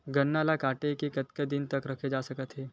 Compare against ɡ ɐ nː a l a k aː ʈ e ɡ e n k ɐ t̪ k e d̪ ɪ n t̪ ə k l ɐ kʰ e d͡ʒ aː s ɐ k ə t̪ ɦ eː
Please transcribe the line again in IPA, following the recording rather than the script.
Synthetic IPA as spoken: ɡ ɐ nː a l a k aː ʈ e k e k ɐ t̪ k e d̪ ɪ n t̪ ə k ɾ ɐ kʰ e d͡ʒ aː s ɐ k ə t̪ ɦ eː